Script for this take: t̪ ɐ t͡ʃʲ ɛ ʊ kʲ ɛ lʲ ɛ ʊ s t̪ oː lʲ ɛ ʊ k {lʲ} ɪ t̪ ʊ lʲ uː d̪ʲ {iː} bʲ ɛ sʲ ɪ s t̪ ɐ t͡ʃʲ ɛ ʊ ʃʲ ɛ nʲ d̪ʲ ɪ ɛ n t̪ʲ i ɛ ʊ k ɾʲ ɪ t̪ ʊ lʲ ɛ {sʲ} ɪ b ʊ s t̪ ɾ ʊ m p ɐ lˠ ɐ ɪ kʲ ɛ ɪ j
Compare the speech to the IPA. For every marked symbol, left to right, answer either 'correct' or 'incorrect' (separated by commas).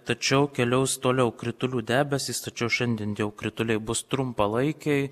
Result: incorrect, incorrect, incorrect